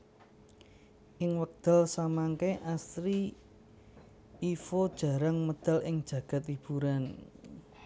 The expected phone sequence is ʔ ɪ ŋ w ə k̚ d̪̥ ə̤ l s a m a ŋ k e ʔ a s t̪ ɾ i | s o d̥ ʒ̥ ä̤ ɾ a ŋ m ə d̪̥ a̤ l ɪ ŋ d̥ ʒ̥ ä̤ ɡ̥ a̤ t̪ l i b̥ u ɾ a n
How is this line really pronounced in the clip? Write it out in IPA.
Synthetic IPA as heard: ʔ ɪ ŋ w ə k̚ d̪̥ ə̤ l s a m a ŋ k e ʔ a s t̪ ɾ i | f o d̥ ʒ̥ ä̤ ɾ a ŋ m ə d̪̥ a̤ l ɪ ŋ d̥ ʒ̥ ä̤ ɡ̥ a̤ t̪ l i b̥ u ɾ a n